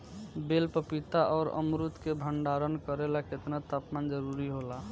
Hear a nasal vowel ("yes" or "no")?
no